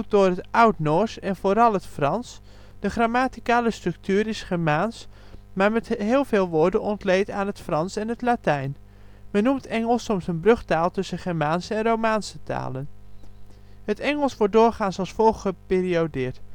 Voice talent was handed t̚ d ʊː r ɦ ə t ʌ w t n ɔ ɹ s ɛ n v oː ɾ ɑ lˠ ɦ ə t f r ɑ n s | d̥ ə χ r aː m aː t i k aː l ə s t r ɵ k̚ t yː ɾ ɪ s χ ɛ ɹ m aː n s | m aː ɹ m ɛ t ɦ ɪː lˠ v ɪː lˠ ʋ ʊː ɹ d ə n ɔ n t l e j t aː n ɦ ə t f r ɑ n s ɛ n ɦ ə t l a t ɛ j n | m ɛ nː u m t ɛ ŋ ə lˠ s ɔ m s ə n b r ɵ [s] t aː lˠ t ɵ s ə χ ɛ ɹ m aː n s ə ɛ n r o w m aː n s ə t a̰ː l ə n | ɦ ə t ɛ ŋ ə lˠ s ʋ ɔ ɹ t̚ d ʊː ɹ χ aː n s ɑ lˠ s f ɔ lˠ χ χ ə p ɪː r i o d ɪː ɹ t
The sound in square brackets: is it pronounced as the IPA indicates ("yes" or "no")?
no